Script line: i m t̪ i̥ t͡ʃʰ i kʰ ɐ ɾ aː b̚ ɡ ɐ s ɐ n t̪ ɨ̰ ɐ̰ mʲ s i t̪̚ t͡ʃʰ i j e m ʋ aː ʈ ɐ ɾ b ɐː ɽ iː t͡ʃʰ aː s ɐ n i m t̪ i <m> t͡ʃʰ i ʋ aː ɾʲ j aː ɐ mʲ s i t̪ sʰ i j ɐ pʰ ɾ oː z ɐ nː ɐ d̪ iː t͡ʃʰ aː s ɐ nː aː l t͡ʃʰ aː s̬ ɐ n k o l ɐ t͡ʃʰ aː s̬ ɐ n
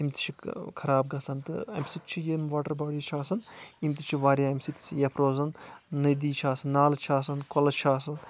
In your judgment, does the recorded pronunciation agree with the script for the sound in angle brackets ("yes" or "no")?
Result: no